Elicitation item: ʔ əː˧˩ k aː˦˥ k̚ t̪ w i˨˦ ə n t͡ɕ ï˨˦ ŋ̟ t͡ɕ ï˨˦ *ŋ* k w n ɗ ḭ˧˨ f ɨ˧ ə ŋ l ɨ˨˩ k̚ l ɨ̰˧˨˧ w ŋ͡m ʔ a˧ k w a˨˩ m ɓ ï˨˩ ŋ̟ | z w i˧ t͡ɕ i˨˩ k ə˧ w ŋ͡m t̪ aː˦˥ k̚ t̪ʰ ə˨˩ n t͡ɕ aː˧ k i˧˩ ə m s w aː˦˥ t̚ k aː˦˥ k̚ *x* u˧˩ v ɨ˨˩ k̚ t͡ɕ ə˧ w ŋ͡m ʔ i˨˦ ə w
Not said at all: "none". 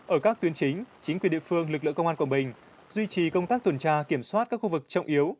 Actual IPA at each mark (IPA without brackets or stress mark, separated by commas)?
ŋ, x